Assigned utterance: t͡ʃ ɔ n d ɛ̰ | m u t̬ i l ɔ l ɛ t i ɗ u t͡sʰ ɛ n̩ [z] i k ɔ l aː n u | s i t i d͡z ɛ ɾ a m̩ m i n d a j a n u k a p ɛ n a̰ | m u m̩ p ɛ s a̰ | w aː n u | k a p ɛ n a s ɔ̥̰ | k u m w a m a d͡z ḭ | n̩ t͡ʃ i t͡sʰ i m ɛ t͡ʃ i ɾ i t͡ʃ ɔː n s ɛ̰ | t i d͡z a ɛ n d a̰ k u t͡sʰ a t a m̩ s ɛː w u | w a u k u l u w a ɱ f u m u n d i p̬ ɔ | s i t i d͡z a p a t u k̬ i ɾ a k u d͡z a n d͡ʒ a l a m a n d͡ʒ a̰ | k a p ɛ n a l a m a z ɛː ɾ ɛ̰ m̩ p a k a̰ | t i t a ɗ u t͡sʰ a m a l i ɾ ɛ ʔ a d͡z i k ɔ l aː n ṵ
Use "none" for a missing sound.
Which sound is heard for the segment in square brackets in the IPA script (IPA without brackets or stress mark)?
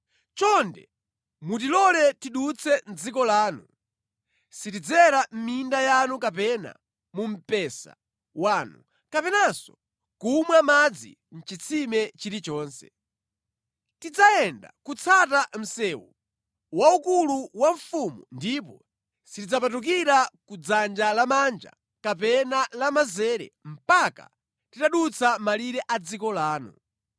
d͡z